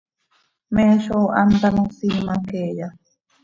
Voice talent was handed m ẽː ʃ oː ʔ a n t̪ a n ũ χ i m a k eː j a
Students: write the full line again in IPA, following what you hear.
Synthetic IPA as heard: m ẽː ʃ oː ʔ a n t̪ a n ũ s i m a k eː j a